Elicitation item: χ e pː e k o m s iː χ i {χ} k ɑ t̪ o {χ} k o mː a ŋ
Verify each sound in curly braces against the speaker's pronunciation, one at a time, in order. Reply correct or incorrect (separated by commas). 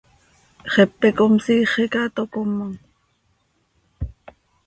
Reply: incorrect, incorrect